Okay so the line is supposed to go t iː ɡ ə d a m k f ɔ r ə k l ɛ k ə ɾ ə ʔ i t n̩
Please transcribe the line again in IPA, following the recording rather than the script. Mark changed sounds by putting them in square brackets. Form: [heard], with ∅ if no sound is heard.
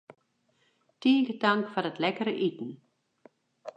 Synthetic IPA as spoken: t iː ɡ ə d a [ŋ] k f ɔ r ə [t] l ɛ k ə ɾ ə ʔ i t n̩